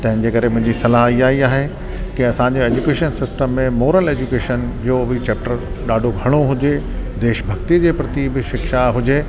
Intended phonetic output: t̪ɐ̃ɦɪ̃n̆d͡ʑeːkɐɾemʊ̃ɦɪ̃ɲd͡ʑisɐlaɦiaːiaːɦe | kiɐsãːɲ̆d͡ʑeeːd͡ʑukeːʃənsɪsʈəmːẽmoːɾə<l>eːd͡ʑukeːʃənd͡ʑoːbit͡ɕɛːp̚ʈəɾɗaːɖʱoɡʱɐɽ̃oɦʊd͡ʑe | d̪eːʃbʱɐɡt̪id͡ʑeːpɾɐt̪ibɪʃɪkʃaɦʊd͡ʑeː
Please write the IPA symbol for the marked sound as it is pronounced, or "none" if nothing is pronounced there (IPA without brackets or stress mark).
l